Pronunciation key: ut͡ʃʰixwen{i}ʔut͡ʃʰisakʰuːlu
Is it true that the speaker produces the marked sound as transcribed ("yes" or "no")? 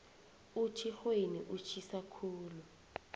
yes